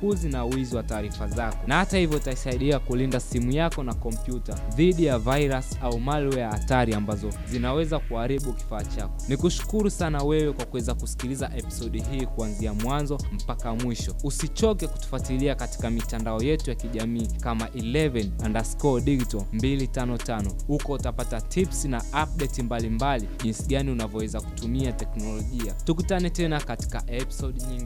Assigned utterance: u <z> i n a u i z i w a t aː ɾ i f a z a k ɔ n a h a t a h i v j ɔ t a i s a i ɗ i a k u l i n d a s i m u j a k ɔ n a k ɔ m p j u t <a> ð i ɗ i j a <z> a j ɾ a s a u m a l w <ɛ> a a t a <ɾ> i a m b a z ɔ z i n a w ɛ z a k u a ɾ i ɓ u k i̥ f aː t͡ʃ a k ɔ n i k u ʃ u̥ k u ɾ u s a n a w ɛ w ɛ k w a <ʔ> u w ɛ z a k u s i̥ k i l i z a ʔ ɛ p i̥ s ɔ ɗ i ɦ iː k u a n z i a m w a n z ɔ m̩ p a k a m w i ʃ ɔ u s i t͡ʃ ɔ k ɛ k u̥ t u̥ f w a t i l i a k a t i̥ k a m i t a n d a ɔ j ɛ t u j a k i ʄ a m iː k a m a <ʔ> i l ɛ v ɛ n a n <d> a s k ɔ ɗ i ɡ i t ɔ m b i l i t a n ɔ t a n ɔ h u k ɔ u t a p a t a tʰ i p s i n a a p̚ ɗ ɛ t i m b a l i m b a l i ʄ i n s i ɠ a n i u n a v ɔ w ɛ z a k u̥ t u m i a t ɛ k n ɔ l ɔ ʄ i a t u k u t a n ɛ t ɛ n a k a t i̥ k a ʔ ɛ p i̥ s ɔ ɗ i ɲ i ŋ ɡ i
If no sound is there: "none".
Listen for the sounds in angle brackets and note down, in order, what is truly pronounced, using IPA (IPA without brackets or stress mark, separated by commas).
z, a, v, ɛ, ɾ, k, ʔ, d